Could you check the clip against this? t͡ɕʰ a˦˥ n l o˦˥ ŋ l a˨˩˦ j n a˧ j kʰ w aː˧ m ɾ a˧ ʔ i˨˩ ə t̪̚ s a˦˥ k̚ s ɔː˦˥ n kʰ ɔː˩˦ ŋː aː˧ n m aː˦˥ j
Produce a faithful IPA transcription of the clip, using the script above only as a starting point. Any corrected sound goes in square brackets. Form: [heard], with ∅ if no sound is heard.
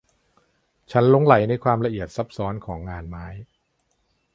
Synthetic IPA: t͡ɕʰ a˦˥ n l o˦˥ ŋ l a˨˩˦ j n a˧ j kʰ w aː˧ m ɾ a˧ ʔ i˨˩ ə t̪̚ s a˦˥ [p̚] s ɔː˦˥ n kʰ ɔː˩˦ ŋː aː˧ n m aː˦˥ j